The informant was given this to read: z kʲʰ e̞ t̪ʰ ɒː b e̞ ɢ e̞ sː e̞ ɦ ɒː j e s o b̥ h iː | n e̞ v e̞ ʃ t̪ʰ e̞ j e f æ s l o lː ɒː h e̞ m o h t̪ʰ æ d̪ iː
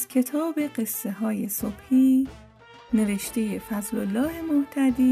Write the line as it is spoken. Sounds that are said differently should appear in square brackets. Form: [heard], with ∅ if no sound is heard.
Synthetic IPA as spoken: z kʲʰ e̞ t̪ʰ ɒː b e̞ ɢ e̞ sː e̞ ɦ ɒː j e s o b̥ h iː | n e̞ v e̞ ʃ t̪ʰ e̞ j e f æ [z] l o lː ɒː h e̞ m o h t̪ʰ æ d̪ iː